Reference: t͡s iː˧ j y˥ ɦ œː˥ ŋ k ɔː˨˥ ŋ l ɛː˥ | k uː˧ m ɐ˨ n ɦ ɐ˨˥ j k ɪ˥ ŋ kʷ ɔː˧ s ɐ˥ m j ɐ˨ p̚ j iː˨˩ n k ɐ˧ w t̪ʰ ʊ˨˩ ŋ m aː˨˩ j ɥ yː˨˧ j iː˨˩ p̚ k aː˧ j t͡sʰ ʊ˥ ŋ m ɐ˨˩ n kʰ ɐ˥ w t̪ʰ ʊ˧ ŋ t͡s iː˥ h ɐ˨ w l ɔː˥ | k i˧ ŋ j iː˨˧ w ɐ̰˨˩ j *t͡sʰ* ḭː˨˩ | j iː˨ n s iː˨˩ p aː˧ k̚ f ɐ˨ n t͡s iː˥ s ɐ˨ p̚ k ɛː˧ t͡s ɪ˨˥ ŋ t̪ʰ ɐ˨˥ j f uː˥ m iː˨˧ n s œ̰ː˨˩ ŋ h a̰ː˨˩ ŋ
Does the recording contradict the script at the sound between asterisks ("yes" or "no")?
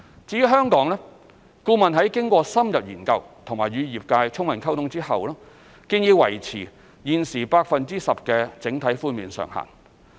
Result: no